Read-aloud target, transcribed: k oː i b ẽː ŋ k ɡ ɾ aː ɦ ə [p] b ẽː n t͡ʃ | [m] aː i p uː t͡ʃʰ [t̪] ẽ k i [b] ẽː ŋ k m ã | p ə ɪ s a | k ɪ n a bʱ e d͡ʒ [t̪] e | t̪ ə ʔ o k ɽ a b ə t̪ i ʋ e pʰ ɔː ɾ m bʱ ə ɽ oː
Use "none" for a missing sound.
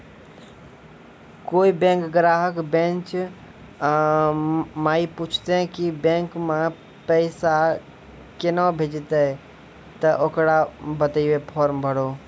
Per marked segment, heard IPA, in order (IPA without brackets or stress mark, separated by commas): k, m, t̪, b, t̪